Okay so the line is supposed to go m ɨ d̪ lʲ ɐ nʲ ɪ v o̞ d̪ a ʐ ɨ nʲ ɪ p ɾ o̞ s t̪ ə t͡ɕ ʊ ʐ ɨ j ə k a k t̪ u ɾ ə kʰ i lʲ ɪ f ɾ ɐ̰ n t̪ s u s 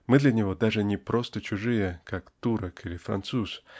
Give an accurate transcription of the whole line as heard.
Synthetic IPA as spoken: m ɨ d̪ lʲ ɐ nʲ ɪ v o̞ d̪ a ʐ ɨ nʲ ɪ p ɾ o̞ s t̪ ə t͡ɕ ʊ ʐ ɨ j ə k a k t̪ u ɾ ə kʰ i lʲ ɪ f ɾ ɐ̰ n t̪ s u s